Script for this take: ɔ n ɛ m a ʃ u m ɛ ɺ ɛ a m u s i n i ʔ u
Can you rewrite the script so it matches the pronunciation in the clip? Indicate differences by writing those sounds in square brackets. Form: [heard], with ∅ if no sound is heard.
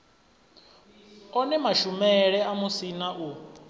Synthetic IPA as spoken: ɔ n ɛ m a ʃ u m ɛ ɺ ɛ a m u s i n [a] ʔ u